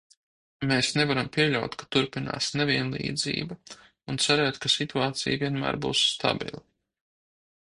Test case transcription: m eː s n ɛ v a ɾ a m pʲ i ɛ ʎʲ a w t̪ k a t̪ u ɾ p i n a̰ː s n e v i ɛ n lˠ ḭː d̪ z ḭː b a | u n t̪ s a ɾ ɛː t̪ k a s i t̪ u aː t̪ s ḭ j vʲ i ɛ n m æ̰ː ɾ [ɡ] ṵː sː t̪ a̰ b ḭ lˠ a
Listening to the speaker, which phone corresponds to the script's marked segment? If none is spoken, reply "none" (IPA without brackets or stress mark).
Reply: b